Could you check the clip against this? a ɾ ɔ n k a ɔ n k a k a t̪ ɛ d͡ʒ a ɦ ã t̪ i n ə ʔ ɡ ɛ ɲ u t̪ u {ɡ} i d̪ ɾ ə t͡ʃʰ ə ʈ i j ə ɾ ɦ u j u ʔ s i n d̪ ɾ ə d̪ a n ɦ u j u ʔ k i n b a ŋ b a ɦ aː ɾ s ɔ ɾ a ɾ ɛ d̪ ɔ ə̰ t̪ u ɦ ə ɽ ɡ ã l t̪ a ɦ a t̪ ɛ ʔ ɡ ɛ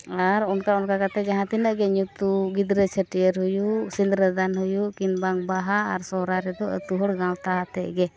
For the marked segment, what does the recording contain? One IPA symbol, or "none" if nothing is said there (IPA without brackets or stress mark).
ɡ